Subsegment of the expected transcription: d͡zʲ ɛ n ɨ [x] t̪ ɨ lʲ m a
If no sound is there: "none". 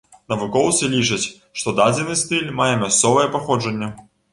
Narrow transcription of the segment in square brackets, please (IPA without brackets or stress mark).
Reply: s